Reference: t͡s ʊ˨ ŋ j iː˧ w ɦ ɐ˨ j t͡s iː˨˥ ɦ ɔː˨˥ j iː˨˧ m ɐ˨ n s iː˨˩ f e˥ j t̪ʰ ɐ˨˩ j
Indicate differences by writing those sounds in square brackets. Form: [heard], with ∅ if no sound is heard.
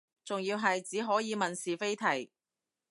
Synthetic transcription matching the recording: t͡s ʊ˨ ŋ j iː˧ w ɦ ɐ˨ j t͡s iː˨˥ ɦ ɔː˨˥ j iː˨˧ m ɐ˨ n s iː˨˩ f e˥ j t̪ʰ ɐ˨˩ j